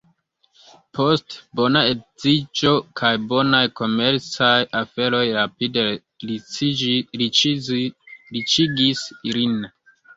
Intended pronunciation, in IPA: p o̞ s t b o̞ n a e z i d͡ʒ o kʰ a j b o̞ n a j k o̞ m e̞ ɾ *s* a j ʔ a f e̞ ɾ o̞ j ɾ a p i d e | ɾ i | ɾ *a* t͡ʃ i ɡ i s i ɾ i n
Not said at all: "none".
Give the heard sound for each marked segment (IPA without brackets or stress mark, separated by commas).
t͡s, i